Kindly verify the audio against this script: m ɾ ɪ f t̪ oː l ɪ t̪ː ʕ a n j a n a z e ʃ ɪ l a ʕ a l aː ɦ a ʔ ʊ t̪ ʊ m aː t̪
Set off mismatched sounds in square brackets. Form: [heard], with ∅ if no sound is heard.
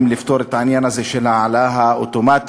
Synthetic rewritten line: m [l] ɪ f t̪ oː [ɾ] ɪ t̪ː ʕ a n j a n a z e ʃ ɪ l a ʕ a l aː ɦ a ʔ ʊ t̪ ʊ m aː t̪